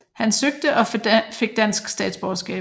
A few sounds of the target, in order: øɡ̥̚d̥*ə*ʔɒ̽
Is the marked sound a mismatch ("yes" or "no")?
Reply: no